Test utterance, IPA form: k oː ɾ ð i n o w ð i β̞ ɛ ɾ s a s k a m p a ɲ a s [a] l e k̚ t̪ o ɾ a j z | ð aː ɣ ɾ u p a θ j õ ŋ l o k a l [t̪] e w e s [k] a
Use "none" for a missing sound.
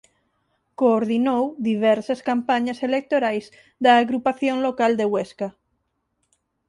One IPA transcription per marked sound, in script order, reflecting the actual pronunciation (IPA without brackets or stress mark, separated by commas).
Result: e, d̪, k